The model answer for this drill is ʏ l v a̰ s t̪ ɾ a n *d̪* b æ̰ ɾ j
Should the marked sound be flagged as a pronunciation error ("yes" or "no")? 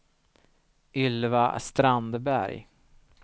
no